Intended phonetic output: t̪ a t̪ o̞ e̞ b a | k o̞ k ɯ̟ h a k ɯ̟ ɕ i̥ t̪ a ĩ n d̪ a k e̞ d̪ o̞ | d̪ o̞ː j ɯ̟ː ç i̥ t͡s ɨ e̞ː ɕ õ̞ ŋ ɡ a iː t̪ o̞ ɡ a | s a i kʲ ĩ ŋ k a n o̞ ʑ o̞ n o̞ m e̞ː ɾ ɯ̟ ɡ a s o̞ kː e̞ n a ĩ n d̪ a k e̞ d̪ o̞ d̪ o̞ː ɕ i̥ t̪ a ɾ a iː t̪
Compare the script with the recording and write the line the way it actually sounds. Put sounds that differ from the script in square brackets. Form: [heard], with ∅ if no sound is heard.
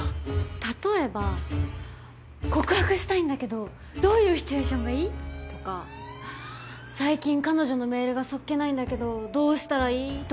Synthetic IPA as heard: t̪ a t̪ o̞ e̞ b a | k o̞ k ɯ̟ h a k ɯ̟ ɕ i̥ t̪ a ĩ n d̪ a k e̞ d̪ o̞ | d̪ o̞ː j ɯ̟ː ç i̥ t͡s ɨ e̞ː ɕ õ̞ ŋ ɡ a iː t̪ o̞ [k] a | s a i kʲ ĩ ŋ k a n o̞ ʑ o̞ n o̞ m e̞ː ɾ ɯ̟ ɡ a s o̞ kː e̞ n a ĩ n d̪ a k e̞ d̪ o̞ d̪ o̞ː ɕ i̥ t̪ a ɾ a iː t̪